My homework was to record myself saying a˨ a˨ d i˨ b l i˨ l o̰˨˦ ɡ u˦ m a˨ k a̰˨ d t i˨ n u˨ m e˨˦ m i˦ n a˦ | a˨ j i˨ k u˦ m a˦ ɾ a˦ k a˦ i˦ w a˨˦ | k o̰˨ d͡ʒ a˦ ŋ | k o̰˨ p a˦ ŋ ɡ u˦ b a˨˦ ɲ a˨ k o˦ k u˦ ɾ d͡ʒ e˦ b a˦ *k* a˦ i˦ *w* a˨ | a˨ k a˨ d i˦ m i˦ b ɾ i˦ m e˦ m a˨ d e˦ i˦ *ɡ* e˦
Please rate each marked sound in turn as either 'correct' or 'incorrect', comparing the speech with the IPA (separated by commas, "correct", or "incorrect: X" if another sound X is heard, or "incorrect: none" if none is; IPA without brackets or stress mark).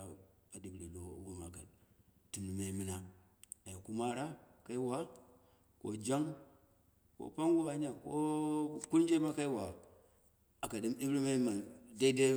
correct, correct, incorrect: d